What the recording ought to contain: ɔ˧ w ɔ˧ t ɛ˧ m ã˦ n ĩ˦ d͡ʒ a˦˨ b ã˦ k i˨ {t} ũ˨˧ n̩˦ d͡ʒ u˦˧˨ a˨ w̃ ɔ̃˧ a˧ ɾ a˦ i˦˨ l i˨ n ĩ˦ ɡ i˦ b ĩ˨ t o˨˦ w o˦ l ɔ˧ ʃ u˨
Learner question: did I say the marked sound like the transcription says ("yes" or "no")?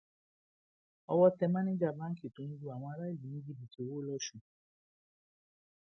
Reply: yes